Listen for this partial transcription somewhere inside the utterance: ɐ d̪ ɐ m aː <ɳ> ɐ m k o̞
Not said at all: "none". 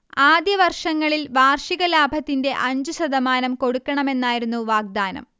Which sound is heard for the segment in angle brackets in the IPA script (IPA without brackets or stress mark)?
n